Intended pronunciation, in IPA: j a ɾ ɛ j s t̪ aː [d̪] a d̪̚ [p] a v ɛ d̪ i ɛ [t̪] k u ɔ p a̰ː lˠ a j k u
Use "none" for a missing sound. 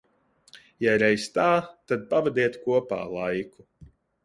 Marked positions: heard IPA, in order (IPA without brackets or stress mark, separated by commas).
t̪, p, t̪